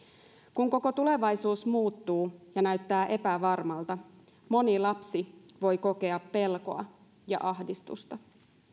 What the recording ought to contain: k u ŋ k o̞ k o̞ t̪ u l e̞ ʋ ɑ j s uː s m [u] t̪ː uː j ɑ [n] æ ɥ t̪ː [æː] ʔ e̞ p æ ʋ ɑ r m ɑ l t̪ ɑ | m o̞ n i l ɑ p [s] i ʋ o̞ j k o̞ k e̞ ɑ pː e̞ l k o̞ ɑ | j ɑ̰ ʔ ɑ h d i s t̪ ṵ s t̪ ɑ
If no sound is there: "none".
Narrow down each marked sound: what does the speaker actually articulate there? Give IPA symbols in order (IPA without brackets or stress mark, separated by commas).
uː, n, æː, s